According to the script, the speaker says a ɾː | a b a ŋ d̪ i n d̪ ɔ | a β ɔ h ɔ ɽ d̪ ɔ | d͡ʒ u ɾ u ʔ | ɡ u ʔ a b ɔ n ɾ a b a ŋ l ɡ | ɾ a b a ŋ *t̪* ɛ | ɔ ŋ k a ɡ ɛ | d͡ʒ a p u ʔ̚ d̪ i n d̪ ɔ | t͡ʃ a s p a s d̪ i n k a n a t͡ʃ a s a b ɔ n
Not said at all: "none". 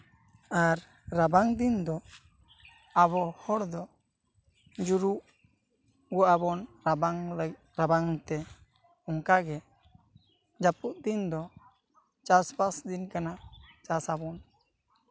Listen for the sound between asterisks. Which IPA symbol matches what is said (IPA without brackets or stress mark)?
t̪